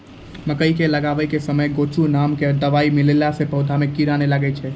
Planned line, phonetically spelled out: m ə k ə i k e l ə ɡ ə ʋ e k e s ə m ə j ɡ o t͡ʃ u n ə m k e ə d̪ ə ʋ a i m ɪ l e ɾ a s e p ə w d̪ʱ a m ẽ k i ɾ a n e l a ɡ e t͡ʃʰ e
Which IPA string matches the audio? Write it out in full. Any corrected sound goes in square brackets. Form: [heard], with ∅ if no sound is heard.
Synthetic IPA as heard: m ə k ə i k e l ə ɡ [a] ʋ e k e s ə m ə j ɡ o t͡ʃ u n [a] m k e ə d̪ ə ʋ a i m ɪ l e [l] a s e p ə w d̪ʱ a m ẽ k i ɾ a n e l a ɡ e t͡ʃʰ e